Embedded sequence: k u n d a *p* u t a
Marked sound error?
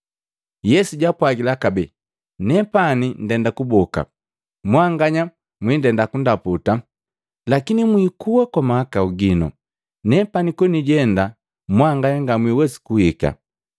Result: no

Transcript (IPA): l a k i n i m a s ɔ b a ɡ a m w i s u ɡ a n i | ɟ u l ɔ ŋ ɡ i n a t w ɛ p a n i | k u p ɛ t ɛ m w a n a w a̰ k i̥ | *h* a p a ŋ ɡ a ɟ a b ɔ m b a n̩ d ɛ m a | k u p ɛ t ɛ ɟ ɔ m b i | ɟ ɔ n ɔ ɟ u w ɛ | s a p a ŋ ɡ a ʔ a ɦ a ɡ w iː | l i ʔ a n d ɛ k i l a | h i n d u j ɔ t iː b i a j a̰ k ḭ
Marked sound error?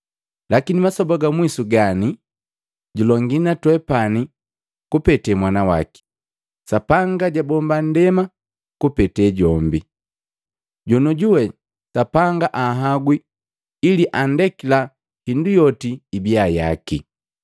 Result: yes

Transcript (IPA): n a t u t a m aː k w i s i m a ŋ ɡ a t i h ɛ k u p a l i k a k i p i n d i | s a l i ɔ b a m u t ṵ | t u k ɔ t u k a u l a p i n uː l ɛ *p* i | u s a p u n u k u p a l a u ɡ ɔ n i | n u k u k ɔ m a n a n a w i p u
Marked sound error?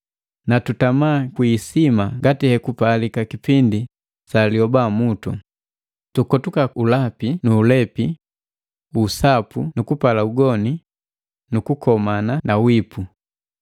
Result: no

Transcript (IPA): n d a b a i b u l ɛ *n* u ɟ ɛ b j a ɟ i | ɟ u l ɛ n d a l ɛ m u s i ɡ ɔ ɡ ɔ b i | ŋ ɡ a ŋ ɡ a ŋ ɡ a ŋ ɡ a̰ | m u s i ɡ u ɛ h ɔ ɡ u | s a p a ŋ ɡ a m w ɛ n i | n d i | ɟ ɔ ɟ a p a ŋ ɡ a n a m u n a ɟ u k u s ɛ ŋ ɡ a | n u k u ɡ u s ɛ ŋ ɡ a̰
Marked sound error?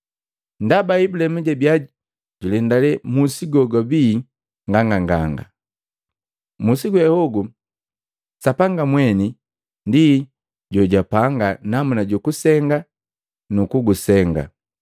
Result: yes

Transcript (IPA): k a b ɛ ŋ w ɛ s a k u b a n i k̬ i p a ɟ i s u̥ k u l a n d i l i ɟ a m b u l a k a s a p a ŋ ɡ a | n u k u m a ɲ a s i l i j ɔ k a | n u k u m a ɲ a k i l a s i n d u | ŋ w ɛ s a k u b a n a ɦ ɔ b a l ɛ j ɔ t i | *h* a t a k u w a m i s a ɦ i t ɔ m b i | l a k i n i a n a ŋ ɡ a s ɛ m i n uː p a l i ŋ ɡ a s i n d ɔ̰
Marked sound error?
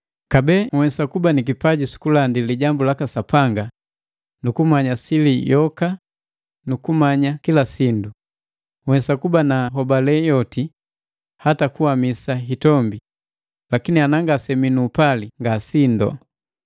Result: no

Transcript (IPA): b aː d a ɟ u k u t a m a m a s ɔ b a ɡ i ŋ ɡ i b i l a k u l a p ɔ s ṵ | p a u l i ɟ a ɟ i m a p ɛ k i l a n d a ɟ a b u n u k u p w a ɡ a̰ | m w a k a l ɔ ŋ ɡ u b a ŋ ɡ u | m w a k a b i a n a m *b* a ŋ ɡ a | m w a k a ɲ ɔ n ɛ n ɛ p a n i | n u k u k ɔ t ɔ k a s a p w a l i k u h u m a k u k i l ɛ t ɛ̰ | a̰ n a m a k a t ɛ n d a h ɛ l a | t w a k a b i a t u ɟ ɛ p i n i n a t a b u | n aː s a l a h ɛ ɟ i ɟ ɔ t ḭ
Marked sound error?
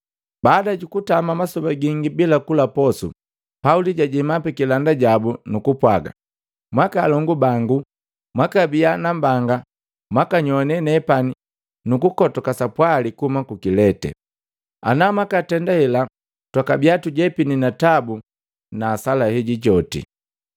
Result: no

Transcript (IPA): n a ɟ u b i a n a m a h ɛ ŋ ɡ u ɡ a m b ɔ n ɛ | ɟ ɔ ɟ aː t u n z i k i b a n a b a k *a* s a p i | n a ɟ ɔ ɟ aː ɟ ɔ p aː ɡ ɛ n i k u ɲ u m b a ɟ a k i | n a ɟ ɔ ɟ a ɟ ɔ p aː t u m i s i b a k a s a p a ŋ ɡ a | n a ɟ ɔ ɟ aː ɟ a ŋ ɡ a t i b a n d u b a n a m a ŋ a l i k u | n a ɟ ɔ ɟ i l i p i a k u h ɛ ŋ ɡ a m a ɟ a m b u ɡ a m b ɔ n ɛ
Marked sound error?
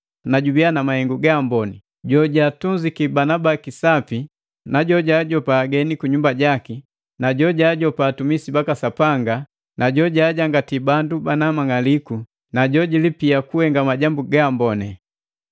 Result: yes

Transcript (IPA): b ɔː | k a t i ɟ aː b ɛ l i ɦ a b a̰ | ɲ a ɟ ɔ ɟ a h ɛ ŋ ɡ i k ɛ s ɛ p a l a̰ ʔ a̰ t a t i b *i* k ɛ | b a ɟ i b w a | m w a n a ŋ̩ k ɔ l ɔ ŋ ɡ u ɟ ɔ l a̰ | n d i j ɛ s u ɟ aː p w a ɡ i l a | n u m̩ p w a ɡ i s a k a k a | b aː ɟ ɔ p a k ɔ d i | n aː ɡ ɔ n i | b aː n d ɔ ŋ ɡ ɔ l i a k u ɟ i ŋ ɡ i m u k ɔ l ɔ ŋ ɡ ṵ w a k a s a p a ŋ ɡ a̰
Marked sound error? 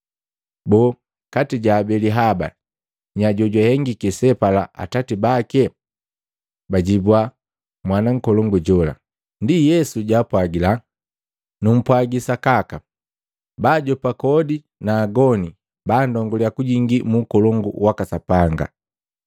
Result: yes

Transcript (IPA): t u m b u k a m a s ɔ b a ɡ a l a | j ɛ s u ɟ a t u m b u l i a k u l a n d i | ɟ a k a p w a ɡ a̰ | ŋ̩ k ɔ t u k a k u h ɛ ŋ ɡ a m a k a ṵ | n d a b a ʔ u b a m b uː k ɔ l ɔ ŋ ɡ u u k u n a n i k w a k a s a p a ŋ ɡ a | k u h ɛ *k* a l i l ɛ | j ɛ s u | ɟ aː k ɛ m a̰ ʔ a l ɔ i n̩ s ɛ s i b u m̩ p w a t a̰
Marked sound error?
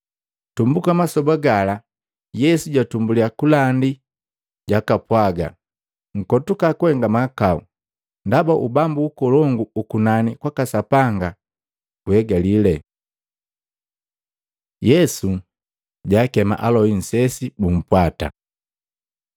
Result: yes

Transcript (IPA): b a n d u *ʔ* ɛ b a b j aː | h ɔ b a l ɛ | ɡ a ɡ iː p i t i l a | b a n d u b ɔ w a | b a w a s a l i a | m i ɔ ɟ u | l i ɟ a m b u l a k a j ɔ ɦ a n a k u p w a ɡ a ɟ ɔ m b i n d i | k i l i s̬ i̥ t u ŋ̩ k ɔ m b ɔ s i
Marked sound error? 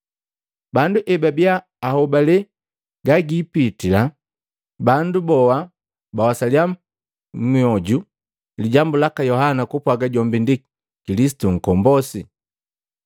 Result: no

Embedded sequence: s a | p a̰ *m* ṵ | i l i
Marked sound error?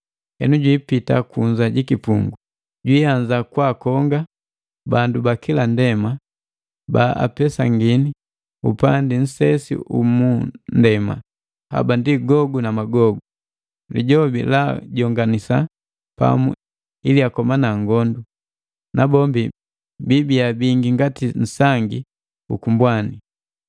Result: no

